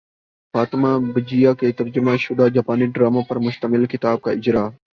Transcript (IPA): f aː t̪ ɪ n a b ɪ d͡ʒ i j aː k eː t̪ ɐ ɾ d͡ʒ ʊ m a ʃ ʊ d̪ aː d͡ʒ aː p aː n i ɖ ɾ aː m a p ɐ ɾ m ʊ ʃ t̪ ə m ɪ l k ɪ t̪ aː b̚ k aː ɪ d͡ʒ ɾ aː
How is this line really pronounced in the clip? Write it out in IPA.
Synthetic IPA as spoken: f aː t̪ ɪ m a b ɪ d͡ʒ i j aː k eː t̪ ɐ ɾ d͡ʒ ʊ m a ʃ ʊ d̪ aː d͡ʒ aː p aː n i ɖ ɾ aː m a p ɐ ɾ m ʊ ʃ t̪ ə m ɪ l k ɪ t̪ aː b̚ k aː ɪ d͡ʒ ɾ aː